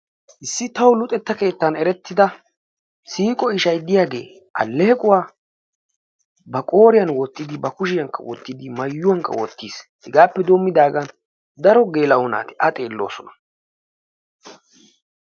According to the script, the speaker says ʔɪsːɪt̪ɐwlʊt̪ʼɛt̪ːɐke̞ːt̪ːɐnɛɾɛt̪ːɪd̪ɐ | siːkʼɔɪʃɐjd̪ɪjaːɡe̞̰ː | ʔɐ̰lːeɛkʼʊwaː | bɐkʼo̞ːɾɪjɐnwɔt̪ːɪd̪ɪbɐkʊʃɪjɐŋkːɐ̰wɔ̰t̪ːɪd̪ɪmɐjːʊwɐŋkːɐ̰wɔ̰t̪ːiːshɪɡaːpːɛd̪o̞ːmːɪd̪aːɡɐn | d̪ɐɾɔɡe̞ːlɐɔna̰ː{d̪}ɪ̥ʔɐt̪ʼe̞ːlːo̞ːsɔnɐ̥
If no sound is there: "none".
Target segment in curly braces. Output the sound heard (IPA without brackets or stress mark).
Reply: t̪